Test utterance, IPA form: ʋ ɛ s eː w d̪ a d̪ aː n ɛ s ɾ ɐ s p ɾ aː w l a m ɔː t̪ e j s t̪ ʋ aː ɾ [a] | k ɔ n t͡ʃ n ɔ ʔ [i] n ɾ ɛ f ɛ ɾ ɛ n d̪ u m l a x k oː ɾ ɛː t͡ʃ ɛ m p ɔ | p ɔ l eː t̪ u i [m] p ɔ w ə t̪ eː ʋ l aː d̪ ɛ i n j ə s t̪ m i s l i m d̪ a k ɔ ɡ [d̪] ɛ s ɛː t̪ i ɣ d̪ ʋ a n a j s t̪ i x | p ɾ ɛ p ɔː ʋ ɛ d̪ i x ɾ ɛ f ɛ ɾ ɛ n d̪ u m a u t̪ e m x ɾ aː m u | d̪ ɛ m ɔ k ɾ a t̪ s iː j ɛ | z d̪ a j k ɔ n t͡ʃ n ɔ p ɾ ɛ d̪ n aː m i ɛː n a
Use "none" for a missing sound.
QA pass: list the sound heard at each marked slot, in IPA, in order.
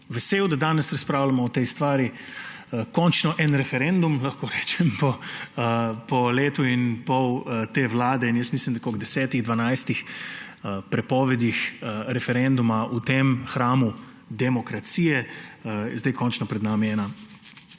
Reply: i, ɛ, n, d̪

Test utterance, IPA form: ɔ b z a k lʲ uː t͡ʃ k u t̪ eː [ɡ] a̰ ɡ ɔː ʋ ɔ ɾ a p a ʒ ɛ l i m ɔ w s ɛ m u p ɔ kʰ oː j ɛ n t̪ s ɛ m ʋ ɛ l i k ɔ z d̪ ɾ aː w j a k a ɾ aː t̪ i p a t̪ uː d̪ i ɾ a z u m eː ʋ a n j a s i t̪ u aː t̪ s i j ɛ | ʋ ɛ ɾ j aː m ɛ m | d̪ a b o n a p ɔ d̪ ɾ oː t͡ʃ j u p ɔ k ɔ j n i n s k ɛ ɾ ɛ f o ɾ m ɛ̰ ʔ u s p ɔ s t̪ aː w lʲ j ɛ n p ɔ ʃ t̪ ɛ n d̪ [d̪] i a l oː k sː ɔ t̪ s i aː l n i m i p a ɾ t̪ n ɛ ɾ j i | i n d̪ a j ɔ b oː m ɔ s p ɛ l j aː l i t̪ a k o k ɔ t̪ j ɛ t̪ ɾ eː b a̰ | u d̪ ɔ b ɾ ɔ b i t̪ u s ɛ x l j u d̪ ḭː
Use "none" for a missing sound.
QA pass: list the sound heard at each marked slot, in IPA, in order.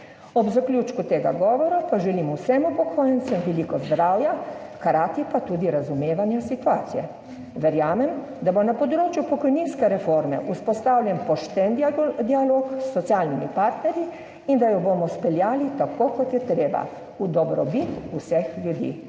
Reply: ɡ, d̪

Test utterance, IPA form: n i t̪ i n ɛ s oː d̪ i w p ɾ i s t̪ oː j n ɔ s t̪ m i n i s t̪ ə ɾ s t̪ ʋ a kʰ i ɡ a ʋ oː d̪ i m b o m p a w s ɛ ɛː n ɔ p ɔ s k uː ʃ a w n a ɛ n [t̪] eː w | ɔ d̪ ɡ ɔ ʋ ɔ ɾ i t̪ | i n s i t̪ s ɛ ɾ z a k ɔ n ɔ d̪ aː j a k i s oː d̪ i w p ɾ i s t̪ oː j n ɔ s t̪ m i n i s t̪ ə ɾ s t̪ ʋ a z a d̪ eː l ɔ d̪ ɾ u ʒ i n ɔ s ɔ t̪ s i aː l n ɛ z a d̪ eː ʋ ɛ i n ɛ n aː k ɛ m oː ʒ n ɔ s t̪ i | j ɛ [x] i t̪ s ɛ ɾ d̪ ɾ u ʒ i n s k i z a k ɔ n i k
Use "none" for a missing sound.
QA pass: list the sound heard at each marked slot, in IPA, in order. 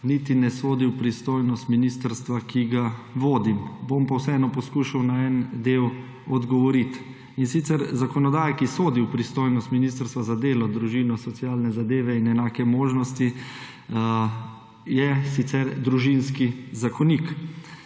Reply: d̪, s

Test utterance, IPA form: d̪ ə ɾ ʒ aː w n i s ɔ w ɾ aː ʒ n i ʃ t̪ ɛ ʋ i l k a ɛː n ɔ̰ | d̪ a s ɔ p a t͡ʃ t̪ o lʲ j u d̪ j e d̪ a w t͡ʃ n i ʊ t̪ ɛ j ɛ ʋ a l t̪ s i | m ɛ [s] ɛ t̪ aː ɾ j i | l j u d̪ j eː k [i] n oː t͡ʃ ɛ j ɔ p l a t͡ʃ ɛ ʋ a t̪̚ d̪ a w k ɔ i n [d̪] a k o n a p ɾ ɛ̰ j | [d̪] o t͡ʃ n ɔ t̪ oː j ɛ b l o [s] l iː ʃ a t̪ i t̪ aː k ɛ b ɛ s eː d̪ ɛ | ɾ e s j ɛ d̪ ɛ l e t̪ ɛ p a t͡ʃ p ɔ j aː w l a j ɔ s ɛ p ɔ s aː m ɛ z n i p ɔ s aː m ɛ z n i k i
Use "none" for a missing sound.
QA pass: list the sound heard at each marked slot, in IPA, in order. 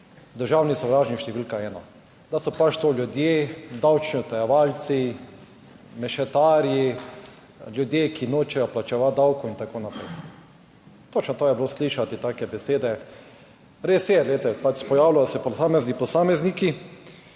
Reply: ʃ, i, t̪, t̪, s

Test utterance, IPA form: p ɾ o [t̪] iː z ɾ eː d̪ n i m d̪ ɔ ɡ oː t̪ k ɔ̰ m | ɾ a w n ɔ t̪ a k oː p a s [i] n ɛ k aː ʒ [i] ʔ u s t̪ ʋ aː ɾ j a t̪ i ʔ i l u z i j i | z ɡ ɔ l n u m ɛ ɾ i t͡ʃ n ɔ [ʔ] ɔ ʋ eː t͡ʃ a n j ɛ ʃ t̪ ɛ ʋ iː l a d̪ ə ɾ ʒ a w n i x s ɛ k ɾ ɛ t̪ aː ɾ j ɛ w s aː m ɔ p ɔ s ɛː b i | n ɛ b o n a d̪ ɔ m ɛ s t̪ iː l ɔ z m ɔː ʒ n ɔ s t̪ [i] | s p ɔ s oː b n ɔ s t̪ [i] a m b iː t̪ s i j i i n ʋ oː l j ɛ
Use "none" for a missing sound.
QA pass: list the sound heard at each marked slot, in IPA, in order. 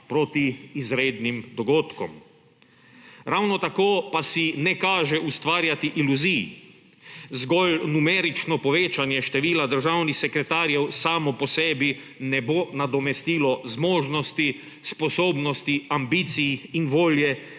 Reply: t̪, i, ɛ, p, i, i

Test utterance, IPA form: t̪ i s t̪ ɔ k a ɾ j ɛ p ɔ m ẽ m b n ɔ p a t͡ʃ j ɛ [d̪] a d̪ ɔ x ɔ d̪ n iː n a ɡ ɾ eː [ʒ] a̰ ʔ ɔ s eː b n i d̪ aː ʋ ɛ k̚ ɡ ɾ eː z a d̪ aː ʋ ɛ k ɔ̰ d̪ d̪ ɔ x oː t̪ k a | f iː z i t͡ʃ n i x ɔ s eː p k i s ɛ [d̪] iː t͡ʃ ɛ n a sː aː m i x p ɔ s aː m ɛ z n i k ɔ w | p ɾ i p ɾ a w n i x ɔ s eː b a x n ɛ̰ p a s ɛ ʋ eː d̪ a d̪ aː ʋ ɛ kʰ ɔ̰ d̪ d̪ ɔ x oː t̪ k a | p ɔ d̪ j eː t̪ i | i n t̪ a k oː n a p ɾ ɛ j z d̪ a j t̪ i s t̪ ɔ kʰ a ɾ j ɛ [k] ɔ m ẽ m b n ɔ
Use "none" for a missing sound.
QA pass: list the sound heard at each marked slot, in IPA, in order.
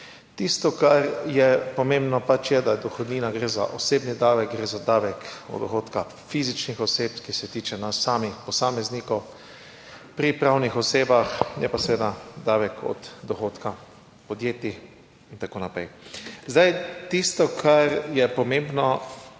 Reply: d̪, z, t̪, p

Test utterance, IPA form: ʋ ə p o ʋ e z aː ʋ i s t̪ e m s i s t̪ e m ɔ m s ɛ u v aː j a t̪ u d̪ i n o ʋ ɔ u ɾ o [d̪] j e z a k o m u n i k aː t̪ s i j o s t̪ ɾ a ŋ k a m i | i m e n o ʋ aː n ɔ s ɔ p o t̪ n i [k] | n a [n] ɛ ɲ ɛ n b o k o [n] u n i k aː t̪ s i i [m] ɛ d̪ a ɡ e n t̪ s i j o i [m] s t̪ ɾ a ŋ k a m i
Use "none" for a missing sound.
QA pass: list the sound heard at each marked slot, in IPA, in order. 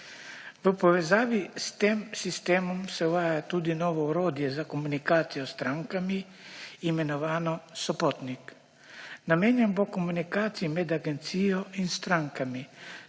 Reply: d̪, k, m, m, m, n

